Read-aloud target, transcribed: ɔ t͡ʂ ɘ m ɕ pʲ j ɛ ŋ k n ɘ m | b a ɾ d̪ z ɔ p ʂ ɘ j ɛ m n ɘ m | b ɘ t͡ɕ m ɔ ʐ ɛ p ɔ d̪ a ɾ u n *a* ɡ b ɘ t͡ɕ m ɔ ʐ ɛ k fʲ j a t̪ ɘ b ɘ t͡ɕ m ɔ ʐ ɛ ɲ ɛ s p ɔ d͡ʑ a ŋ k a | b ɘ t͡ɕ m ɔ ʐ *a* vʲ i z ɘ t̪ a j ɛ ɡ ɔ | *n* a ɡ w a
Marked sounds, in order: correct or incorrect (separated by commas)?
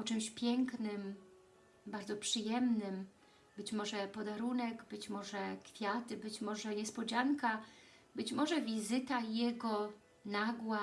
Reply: incorrect, incorrect, correct